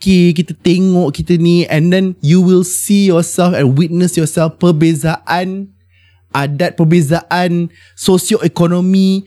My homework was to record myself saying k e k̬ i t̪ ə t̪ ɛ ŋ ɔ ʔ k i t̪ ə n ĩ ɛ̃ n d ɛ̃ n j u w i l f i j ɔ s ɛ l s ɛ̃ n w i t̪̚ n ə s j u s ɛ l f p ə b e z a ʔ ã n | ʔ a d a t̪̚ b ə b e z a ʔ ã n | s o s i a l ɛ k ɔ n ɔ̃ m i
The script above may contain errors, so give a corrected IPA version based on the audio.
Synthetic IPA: k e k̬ i t̪ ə t̪ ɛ ŋ ɔ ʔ k i t̪ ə n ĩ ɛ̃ n d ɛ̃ n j u w i l s i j ɔ s ɛ l f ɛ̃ n w i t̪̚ n ə s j ɔ s ɛ l f p ə b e z a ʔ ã n | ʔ a d a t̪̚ p ə b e z a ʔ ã n | s o s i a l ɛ k ɔ n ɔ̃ m i